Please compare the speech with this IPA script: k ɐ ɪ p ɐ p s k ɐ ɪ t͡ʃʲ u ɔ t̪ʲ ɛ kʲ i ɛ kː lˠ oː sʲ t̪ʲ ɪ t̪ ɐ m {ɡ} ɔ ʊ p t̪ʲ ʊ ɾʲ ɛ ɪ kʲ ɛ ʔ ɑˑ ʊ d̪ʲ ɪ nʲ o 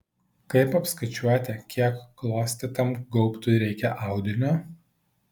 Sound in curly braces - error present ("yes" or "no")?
no